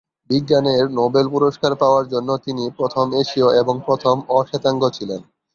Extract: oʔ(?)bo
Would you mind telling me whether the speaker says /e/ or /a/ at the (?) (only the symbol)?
e